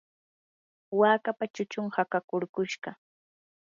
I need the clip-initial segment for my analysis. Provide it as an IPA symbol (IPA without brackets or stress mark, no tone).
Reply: w